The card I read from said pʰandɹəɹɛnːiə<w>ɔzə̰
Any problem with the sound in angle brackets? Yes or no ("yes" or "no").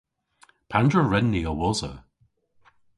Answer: no